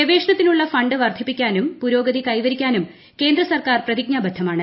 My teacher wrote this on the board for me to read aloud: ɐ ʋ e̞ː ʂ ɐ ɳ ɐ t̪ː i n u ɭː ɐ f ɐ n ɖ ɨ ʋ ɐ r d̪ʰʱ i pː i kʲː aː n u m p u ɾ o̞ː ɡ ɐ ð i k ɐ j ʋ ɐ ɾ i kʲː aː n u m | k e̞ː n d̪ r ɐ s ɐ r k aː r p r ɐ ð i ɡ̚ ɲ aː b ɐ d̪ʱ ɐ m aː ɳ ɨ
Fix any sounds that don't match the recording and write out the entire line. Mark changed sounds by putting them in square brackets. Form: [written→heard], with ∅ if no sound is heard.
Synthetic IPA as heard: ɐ ʋ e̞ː ʂ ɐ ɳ ɐ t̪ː i n u ɭː ɐ f ɐ [n→ɳ] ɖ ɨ ʋ ɐ r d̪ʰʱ i pː i kʲː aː n u m p u ɾ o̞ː ɡ ɐ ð i k ɐ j ʋ ɐ ɾ i kʲː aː n u m | k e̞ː n d̪ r ɐ s ɐ r k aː r p r ɐ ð i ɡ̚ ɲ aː b ɐ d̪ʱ ɐ m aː ɳ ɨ